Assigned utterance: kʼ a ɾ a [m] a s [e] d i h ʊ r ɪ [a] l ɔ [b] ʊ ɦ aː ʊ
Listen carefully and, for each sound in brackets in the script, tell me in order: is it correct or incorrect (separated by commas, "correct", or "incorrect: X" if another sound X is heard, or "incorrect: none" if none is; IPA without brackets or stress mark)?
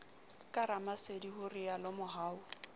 correct, correct, correct, incorrect: m